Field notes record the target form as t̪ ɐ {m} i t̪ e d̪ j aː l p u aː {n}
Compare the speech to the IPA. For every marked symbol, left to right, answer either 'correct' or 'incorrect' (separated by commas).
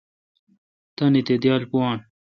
incorrect, correct